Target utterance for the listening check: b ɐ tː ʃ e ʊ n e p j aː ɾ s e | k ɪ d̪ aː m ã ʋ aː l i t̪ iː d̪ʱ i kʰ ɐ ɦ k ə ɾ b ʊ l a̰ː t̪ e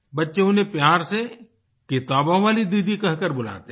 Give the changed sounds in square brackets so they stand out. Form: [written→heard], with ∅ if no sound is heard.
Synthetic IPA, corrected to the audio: b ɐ tː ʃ e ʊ n e p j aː ɾ s e | k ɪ [d̪→t̪] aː [m→b] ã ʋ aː l i [t̪→d̪] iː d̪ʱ i [kʰ→k] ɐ ɦ k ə ɾ b ʊ l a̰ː t̪ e